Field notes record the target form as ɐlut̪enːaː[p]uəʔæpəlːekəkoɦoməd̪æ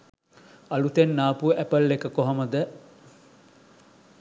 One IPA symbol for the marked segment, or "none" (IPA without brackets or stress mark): p